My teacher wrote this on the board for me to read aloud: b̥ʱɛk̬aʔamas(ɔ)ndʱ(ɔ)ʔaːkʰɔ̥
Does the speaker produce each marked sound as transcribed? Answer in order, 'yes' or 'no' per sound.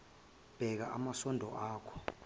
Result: yes, yes

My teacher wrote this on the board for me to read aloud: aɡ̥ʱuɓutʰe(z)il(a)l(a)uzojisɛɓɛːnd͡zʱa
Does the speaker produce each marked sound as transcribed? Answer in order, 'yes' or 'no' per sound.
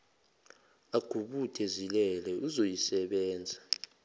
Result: yes, no, no

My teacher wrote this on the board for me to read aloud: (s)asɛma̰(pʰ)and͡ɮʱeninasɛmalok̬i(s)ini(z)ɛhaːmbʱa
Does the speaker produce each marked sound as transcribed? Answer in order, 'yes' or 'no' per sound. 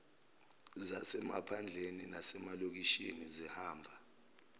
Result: no, yes, no, yes

